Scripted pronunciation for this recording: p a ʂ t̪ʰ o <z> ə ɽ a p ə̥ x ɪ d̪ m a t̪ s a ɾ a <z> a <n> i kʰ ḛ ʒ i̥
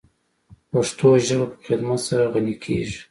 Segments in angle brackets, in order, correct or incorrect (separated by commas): incorrect, incorrect, correct